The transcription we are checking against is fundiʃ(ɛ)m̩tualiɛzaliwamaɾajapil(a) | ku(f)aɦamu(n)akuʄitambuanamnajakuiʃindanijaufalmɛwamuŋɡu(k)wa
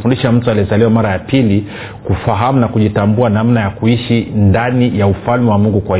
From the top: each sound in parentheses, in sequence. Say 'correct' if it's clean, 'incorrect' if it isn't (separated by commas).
incorrect, incorrect, correct, correct, correct